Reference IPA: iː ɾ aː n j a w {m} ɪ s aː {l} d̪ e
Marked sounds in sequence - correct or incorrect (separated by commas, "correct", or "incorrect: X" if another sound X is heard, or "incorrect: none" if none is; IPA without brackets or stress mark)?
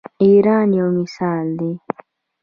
correct, correct